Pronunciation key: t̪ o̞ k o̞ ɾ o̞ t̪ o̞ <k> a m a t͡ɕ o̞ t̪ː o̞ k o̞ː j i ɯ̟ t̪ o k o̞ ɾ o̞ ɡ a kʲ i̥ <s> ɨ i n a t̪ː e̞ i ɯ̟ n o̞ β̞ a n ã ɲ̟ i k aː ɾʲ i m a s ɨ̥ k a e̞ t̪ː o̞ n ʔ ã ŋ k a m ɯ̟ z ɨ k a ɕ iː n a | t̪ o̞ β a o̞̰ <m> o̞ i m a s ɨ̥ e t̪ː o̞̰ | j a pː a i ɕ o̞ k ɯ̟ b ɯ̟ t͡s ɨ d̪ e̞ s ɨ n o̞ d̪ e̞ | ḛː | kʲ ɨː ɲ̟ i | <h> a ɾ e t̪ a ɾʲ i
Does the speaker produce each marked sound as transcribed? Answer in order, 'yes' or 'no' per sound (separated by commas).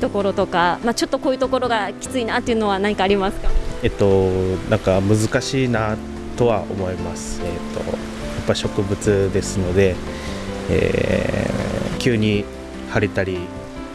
yes, no, yes, yes